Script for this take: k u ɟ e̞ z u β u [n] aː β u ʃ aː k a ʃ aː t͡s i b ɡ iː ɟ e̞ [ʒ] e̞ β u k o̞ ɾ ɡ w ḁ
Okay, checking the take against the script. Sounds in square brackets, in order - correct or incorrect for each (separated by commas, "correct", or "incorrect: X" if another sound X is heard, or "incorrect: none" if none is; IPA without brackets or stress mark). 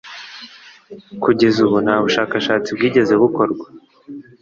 correct, incorrect: z